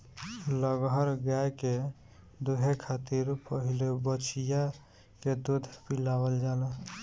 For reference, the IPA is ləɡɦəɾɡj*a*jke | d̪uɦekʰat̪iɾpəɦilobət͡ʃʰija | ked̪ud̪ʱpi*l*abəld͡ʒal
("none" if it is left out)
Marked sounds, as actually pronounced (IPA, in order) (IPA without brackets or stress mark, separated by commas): a, l